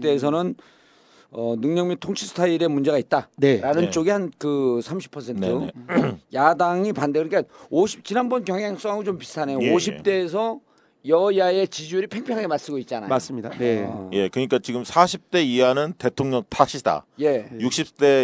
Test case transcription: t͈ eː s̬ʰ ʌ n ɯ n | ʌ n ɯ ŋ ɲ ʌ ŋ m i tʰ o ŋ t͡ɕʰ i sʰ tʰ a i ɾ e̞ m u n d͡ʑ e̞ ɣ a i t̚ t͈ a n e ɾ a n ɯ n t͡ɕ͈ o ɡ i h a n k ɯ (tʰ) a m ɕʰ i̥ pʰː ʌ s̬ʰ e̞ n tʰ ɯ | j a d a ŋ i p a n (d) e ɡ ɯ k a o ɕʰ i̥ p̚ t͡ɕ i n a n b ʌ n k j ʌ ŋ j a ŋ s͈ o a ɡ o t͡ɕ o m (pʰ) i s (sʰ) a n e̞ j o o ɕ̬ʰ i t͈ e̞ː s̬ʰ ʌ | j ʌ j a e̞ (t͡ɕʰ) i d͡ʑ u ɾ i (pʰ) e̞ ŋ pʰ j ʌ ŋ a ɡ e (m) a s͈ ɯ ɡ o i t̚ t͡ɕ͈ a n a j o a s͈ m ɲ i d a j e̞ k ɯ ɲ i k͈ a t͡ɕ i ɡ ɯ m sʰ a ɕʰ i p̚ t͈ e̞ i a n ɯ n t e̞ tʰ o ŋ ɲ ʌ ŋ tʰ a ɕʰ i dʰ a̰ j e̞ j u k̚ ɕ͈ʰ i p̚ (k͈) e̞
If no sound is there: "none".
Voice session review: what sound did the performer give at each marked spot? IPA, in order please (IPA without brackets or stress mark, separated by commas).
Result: sʰ, d, p, tʰ, t͡ɕ, pʰ, m, t͈